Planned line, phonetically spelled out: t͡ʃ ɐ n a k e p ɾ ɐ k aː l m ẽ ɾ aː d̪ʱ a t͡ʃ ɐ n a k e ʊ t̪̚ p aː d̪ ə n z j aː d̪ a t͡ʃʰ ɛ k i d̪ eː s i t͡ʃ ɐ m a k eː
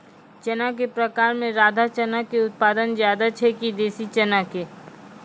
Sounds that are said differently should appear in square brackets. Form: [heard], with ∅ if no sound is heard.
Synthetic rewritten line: t͡ʃ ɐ n a k e p ɾ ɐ k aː [ɾ] m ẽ ɾ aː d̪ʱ a t͡ʃ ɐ n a k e ʊ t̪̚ p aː d̪ ə n z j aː d̪ a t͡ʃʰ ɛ k i d̪ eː s i t͡ʃ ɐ [n] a k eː

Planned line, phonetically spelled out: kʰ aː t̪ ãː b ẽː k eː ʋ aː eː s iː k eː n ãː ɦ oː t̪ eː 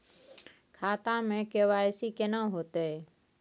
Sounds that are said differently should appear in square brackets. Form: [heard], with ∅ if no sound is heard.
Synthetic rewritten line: kʰ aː t̪ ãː [m] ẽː k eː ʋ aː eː s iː k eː n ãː ɦ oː t̪ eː

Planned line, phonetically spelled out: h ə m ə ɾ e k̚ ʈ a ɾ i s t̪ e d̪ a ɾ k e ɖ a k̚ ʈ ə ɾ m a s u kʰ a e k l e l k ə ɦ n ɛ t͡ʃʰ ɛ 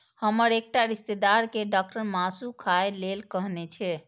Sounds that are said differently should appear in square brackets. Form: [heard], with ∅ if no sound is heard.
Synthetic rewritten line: h ə m ə ɾ e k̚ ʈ a ɾ i s t̪ e d̪ a ɾ k e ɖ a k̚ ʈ ə ɾ m a s u kʰ a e [∅] l e l k ə ɦ n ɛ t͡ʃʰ ɛ

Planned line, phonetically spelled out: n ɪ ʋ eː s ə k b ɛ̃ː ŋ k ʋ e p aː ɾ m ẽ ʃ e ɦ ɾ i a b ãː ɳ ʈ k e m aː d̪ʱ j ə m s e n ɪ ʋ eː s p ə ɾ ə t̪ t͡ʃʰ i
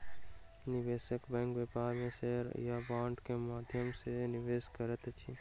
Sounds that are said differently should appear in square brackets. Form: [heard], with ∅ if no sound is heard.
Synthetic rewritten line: n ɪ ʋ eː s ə k b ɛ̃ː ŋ k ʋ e p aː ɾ m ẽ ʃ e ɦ ɾ [j] a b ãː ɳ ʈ k e m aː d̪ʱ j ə m s e n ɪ ʋ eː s [k] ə ɾ ə t̪ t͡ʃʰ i

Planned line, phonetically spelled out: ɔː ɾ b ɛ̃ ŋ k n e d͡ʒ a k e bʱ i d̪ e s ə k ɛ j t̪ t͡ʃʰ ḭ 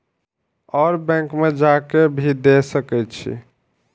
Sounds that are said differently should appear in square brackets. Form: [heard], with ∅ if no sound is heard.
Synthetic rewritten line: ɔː ɾ b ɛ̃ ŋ k [m] e d͡ʒ a k e bʱ i d̪ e s ə k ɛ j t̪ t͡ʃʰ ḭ

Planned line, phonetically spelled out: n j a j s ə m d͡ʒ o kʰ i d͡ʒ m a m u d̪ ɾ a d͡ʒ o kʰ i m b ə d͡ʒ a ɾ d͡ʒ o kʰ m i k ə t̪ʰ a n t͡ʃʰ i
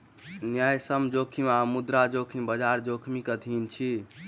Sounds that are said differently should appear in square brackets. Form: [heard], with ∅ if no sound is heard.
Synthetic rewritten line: n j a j s ə m d͡ʒ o kʰ i [∅] m a m u d̪ ɾ a d͡ʒ o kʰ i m b ə d͡ʒ a ɾ d͡ʒ o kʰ m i k ə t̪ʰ [i] n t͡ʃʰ i

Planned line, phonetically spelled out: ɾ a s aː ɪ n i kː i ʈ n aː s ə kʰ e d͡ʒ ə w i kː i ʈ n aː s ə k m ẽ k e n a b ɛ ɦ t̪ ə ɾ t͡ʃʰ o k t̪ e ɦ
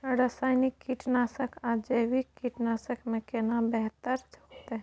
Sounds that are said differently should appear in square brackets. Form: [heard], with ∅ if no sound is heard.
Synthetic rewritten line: ɾ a s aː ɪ n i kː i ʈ n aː s ə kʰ [a] d͡ʒ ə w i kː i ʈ n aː s ə k m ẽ k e n a b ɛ ɦ t̪ ə ɾ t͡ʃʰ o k t̪ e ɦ

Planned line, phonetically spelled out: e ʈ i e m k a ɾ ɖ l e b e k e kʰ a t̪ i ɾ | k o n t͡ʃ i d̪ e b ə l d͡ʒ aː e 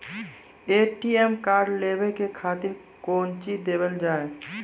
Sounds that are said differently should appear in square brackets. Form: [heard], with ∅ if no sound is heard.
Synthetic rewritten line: e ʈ i e m k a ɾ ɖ l e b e k e kʰ a t̪ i ɾ | k o n t͡ʃ i d̪ e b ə l d͡ʒ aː e

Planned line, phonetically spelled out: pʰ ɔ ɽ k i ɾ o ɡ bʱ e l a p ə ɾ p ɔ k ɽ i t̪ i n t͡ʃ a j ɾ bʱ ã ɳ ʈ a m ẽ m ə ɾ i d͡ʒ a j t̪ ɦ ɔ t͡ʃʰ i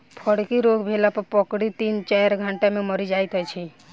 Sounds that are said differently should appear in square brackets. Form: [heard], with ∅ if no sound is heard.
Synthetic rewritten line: pʰ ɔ ɽ k i ɾ o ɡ bʱ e l a p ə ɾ p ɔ k ɽ i t̪ i n t͡ʃ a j ɾ [ɡʱ] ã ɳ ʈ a m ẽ m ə ɾ i d͡ʒ a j t̪ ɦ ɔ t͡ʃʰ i

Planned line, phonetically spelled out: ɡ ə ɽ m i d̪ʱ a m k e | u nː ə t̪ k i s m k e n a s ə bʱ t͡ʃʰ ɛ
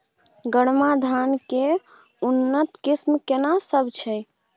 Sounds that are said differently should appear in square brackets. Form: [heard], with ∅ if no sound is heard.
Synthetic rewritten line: ɡ ə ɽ m [a] d̪ʱ a [n] k e | u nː ə t̪ k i s m k e n a s ə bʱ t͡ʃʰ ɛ

